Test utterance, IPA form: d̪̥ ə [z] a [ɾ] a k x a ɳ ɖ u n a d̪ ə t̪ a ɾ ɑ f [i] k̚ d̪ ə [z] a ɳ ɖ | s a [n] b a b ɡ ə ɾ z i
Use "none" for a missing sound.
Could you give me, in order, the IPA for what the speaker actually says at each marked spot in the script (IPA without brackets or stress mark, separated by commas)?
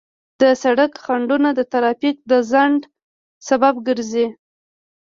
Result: s, ɽ, i, z, none